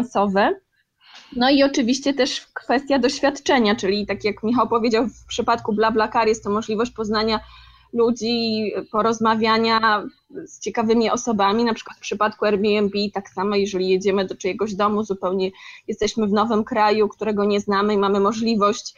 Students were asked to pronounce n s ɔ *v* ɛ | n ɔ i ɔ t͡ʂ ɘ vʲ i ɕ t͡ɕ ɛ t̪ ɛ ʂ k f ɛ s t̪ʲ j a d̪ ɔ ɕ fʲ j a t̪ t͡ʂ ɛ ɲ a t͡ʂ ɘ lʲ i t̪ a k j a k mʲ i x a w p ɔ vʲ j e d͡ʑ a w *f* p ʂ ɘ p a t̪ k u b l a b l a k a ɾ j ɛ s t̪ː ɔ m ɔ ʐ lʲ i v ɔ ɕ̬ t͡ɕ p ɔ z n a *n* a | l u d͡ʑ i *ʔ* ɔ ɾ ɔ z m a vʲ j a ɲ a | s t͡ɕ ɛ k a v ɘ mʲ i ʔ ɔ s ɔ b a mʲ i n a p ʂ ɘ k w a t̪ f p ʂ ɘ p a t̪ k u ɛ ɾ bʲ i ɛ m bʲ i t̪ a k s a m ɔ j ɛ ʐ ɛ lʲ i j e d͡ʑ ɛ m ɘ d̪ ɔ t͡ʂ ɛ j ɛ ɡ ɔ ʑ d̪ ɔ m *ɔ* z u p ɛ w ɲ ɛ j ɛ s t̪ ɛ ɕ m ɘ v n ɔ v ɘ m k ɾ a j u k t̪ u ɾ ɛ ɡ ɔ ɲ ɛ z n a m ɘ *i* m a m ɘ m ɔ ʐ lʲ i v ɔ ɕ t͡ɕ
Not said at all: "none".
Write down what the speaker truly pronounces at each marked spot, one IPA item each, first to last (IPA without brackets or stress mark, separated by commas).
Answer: v, f, ɲ, p, u, i